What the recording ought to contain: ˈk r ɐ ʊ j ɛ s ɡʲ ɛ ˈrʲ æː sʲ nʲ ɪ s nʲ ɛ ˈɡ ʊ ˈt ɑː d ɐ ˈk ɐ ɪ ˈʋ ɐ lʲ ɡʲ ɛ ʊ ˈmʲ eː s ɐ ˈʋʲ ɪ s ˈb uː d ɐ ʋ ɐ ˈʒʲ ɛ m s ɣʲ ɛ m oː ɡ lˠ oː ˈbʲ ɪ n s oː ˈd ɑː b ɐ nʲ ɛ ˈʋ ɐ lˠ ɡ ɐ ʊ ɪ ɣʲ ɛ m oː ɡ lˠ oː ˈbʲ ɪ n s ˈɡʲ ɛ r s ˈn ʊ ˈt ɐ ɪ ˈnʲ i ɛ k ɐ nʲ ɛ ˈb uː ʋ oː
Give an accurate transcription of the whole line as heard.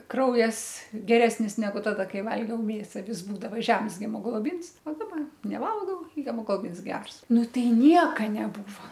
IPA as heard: ˈk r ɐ ʊ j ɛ s ɡʲ ɛ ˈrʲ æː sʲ nʲ ɪ s nʲ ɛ ˈɡ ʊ ˈt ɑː d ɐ ˈk ɐ ɪ ˈʋ ɐ lʲ ɡʲ ɛ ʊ ˈmʲ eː s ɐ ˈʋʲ ɪ s ˈb uː d ɐ ʋ ɐ ˈʒʲ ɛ m s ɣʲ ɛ m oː ɡ lˠ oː ˈbʲ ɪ n s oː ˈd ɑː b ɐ nʲ ɛ ˈʋ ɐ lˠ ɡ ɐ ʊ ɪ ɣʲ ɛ m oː ɡ lˠ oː ˈbʲ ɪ n s ˈɡʲ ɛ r s ˈn ʊ ˈt ɐ ɪ ˈnʲ i ɛ k ɐ nʲ ɛ ˈb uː ʋ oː